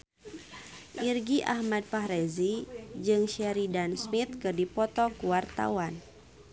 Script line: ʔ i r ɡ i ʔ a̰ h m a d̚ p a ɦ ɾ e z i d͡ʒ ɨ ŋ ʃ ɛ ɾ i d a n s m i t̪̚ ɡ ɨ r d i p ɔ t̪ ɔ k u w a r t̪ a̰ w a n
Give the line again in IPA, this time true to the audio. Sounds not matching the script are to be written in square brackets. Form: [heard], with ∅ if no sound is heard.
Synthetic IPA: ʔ i r ɡ i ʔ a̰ h m a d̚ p a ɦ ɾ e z i d͡ʒ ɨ ŋ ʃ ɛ ɾ i d a n s m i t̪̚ [k] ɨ r d i p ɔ t̪ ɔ k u w a r t̪ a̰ w a n